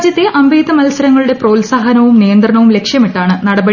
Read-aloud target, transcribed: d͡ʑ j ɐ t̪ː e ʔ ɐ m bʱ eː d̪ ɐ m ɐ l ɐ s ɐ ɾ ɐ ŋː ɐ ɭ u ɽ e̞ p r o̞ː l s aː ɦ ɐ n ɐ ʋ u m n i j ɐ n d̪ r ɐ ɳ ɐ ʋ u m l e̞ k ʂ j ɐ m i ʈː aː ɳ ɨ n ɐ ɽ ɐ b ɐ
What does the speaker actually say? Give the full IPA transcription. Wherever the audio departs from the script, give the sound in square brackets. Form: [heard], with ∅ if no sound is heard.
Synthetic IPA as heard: d͡ʑ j ɐ t̪ː e ʔ ɐ m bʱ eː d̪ ɐ m ɐ l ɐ s ɐ ɾ ɐ ŋː ɐ ɭ u ɽ e̞ p r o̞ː l s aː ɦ ɐ n ɐ ʋ u m n i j ɐ n d̪ r ɐ ɳ ɐ ʋ u m l e̞ k ʂ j ɐ m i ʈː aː ɳ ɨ n ɐ ɽ ɐ b ɐ

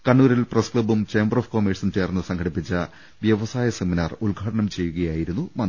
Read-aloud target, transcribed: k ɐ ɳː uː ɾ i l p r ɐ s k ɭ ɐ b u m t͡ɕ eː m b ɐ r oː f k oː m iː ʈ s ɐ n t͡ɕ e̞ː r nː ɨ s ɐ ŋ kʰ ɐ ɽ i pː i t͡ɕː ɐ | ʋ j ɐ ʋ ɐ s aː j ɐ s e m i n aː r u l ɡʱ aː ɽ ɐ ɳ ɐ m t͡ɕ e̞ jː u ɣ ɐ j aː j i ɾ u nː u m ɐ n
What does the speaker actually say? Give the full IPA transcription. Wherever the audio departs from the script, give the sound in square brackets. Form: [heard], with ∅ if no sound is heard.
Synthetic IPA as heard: k ɐ ɳː uː ɾ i l p r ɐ s k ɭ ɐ b u m t͡ɕ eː m b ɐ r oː f k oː m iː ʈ s ɐ n t͡ɕ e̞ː r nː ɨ s ɐ ŋ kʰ ɐ ɽ i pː i t͡ɕː ɐ | ʋ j ɐ ʋ ɐ s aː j ɐ s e m i n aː r u l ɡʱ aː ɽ ɐ ɳ ɐ m t͡ɕ e̞ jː u ɣ ɐ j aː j i ɾ u nː u m ɐ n

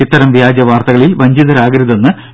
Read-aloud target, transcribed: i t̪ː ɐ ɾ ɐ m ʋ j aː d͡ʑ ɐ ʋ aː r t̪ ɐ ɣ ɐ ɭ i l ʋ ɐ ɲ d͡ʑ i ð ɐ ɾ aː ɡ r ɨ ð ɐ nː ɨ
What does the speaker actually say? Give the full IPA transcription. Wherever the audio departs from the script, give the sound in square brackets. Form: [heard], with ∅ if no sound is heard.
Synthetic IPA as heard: i t̪ː ɐ ɾ ɐ m ʋ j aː d͡ʑ ɐ ʋ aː r t̪ ɐ ɣ ɐ ɭ i l ʋ ɐ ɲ d͡ʑ i ð ɐ ɾ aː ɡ [ɾ] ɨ ð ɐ nː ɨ

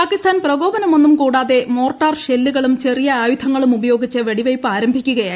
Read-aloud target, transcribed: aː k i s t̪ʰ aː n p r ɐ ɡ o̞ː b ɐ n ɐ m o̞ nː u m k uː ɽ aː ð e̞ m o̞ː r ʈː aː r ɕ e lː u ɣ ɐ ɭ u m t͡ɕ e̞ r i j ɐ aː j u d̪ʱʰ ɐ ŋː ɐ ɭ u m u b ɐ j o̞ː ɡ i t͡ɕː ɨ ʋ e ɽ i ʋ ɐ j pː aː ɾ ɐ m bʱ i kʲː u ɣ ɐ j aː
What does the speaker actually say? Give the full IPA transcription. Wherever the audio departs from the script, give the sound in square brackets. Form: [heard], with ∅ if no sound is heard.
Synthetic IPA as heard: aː k i s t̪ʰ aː n p r ɐ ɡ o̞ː b ɐ n ɐ m o̞ nː u m k uː ɽ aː ð e̞ m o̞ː r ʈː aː r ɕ e lː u ɣ ɐ ɭ u m t͡ɕ e̞ r i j ɐ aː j u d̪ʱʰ ɐ ŋː ɐ ɭ u m u b ɐ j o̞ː ɡ i t͡ɕː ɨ ʋ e ɽ i ʋ ɐ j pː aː ɾ ɐ m bʱ i kʲː u ɣ ɐ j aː

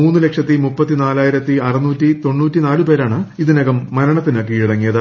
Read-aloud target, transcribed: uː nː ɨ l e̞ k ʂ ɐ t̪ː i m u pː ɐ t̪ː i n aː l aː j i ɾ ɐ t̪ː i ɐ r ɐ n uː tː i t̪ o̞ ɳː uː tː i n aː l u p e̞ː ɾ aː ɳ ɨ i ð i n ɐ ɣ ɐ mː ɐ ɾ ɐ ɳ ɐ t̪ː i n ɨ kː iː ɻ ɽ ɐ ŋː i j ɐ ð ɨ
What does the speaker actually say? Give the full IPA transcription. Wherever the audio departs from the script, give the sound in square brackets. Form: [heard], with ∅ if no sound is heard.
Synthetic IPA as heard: uː nː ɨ l e̞ k ʂ ɐ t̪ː i m u pː ɐ t̪ː i n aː l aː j i ɾ ɐ t̪ː i ɐ r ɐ n uː tː i t̪ o̞ ɳː uː tː i n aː l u p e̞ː ɾ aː ɳ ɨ i ð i n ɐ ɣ ɐ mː ɐ ɾ ɐ ɳ ɐ t̪ː i n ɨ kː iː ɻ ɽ ɐ ŋː i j ɐ ð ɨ

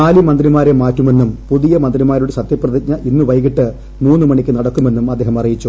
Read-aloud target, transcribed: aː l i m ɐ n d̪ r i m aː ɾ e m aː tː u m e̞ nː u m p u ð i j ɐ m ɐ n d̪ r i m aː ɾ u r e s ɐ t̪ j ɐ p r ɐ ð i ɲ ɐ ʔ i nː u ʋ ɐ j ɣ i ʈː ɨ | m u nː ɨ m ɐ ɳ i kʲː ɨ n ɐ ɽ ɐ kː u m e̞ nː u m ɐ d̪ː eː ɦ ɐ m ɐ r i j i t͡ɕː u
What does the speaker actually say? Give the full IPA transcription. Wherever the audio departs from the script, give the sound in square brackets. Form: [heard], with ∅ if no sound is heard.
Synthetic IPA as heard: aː l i m ɐ n d̪ r i m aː ɾ e m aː tː u m e̞ nː u m p u ð i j ɐ m ɐ n d̪ r i m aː ɾ u [ɽ] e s ɐ t̪ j ɐ p r ɐ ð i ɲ ɐ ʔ i nː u ʋ ɐ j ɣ i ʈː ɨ | m [uː] nː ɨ m ɐ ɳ i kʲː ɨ n ɐ ɽ ɐ kː u m e̞ nː u m ɐ d̪ː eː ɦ ɐ m ɐ r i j i t͡ɕː u

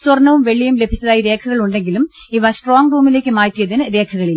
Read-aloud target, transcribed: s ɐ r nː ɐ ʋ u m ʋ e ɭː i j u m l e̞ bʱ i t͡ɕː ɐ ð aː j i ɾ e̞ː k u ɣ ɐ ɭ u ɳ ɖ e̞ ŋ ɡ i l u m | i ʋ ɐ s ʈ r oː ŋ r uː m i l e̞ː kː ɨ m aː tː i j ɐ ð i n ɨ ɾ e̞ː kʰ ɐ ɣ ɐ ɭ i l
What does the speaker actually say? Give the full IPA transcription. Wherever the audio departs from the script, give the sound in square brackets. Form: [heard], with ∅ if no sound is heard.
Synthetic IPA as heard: s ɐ r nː ɐ ʋ u m ʋ e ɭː i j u m l e̞ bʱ i t͡ɕː ɐ ð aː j i ɾ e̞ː [kʰ] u ɣ ɐ ɭ u ɳ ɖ e̞ ŋ ɡ i l u m | i ʋ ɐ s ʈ r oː ŋ r uː m i l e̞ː kː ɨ m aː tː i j ɐ ð i n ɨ ɾ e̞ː kʰ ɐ ɣ ɐ ɭ i l

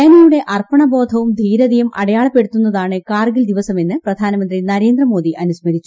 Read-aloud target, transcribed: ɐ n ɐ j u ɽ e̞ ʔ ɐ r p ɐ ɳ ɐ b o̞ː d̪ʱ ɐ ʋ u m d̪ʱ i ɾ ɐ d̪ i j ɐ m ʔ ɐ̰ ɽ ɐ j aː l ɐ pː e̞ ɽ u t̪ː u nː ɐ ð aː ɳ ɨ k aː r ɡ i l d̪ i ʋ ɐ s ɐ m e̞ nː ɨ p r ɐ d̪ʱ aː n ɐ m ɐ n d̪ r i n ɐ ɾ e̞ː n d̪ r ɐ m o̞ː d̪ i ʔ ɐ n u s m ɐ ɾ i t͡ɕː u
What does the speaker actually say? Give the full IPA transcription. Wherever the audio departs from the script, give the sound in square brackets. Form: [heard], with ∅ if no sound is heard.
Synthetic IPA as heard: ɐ n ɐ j u ɽ e̞ ʔ ɐ r p ɐ ɳ ɐ b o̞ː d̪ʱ ɐ ʋ u m d̪ʱ [iː] ɾ ɐ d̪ i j ɐ m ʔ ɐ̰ ɽ ɐ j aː [ɭ] ɐ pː e̞ ɽ u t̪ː u nː ɐ ð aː ɳ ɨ k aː r ɡ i l d̪ i ʋ ɐ s ɐ m e̞ nː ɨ p r ɐ d̪ʱ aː n ɐ m ɐ n d̪ r i n ɐ ɾ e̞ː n d̪ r ɐ m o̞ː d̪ i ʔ ɐ n u s m ɐ ɾ i t͡ɕː u

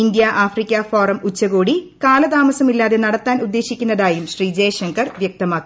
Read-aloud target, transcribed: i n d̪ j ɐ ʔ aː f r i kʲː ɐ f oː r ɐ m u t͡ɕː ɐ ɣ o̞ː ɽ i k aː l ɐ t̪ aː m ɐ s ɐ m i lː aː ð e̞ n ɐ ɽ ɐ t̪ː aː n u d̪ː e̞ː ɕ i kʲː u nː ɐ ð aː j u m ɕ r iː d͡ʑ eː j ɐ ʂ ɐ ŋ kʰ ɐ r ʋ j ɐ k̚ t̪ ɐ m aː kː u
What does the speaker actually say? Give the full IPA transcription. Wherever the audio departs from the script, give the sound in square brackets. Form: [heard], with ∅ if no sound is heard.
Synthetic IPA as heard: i n d̪ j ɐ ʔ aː f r i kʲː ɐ f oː r ɐ m u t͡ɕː ɐ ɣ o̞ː ɽ i k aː l ɐ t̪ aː m ɐ s ɐ m i lː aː ð e̞ n ɐ ɽ ɐ t̪ː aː n u d̪ː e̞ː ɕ i kʲː u nː ɐ ð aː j u m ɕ r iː d͡ʑ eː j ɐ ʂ ɐ ŋ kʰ ɐ r ʋ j ɐ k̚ t̪ ɐ m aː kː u

